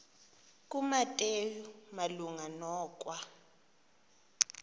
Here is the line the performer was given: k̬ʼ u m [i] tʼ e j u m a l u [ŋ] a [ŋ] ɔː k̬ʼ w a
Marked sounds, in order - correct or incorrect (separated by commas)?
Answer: incorrect, correct, incorrect